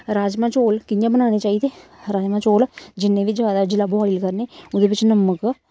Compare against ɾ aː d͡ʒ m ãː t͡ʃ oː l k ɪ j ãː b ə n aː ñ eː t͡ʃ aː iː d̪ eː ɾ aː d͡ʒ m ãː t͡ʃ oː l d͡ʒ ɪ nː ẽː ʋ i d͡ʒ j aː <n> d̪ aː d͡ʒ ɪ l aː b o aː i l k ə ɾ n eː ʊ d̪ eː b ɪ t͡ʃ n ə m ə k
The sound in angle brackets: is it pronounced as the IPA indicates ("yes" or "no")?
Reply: no